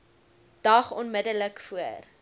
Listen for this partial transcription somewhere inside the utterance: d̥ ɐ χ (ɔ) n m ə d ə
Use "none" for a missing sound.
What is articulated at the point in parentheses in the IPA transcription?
ɔ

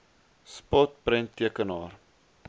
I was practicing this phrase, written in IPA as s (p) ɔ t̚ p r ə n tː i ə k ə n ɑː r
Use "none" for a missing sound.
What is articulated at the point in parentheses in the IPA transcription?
p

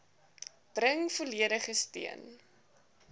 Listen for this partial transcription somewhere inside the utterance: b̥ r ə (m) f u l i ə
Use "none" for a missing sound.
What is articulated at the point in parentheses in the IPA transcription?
ŋ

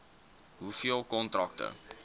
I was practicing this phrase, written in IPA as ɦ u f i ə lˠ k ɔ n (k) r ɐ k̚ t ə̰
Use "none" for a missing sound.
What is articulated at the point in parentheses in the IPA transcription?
t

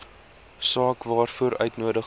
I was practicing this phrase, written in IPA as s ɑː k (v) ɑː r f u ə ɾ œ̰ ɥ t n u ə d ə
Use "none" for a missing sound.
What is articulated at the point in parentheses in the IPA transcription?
v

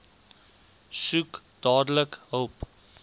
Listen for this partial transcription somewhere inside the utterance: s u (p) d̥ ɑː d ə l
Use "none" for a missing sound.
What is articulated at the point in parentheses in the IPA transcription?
k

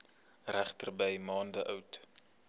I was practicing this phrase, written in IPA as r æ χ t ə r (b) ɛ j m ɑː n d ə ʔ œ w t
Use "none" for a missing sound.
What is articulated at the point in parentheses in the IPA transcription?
b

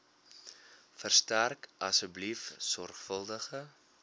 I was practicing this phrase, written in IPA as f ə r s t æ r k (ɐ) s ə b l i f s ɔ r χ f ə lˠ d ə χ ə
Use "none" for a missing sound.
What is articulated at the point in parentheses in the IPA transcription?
ɐ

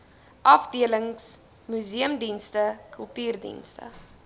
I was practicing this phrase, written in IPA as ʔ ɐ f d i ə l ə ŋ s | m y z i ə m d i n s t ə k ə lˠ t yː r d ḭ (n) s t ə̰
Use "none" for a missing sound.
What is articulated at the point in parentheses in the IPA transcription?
n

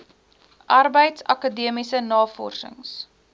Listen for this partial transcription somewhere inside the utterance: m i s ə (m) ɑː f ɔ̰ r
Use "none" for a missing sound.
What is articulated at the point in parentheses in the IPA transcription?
n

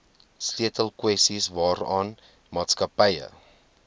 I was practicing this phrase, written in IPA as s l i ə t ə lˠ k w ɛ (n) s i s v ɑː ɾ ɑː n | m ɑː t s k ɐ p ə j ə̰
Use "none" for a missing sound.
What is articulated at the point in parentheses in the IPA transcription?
none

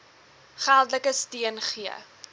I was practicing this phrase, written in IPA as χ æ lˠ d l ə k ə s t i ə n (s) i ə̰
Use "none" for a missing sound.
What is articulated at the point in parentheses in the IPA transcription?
χ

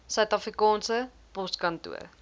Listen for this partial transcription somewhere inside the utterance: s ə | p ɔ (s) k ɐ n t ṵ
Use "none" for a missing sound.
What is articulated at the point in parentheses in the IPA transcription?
s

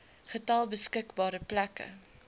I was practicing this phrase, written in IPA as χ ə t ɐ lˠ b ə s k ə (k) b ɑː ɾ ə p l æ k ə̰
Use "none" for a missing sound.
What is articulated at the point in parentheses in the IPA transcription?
k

